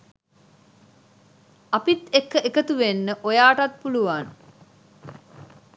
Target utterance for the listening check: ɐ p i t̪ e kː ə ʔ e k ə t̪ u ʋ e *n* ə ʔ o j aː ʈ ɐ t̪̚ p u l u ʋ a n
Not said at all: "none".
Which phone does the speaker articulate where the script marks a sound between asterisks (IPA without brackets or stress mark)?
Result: nː